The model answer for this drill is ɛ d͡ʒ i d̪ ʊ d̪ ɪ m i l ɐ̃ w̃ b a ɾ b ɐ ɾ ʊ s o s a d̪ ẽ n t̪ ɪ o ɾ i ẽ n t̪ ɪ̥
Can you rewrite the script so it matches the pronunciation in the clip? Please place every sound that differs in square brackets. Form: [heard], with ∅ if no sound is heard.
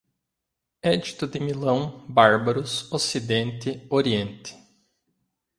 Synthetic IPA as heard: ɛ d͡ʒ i [t̪] ʊ d̪ ɪ m i l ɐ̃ w̃ b a ɾ b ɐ ɾ ʊ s o s [i] d̪ ẽ n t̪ ɪ o ɾ i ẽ n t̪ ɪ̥